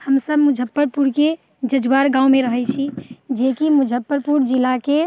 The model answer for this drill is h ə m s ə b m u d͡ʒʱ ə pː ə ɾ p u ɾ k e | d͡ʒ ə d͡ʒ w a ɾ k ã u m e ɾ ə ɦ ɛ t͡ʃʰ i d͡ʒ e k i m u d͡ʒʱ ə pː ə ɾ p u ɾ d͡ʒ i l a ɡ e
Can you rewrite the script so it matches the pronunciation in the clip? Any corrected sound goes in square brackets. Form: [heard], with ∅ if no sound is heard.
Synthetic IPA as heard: h ə m s ə b m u d͡ʒʱ ə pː ə ɾ p u ɾ k e | d͡ʒ ə d͡ʒ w a ɾ [ɡ] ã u m e ɾ ə ɦ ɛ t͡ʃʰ i d͡ʒ e k i m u d͡ʒʱ ə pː ə ɾ p u ɾ d͡ʒ i l a [k] e